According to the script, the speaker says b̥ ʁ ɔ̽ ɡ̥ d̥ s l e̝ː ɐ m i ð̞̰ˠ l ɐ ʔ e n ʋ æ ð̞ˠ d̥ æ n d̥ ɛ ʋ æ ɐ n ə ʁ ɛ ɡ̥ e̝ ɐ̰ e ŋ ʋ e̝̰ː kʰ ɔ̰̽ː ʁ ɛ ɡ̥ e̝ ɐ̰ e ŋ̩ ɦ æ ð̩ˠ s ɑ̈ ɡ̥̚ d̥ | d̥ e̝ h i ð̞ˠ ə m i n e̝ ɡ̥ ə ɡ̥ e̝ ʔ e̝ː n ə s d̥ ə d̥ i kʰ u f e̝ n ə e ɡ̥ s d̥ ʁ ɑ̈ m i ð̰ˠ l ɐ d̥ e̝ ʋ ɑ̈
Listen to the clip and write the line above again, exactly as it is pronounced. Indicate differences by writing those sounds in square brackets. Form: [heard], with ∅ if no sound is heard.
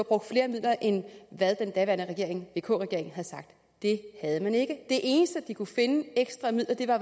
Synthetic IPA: b̥ ʁ ɔ̽ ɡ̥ d̥ [f] l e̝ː ɐ m i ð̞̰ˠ l ɐ ʔ e n ʋ æ ð̞ˠ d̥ [e] n d̥ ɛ ʋ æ ɐ n ə ʁ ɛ ɡ̥ e̝ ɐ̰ e ŋ ʋ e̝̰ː kʰ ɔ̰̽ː ʁ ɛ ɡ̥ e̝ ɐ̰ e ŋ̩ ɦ æ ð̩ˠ s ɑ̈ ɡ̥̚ d̥ | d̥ e̝ h [æ] ð̞ˠ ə m [æ] n e̝ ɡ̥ ə [d̥] e̝ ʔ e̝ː n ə s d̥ ə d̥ i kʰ u f e̝ n ə e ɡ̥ s d̥ ʁ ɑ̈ m i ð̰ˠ l ɐ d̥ e̝ ʋ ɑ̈